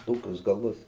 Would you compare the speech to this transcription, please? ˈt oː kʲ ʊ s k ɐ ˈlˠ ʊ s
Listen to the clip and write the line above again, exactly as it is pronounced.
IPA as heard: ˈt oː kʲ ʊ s ɡ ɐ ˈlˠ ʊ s